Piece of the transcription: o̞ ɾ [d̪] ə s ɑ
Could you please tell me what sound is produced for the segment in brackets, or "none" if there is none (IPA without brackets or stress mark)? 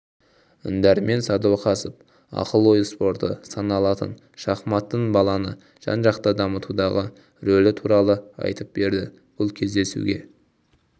t̪